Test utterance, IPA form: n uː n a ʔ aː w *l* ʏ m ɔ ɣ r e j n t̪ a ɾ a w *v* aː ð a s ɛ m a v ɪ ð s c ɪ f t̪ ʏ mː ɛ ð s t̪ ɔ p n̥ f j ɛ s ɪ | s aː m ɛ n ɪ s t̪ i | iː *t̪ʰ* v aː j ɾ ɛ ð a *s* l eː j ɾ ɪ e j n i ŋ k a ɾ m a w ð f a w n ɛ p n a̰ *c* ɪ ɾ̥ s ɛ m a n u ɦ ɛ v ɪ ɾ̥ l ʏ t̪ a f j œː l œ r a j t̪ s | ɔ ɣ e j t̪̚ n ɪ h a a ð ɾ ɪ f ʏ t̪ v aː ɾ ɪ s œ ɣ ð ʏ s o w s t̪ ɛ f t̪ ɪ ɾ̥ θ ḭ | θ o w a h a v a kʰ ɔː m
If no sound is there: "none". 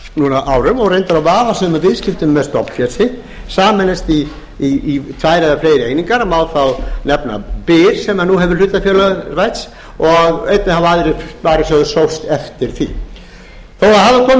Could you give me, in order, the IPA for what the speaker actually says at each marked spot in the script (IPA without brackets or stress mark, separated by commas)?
ɾ, v, t̪ʰ, f, p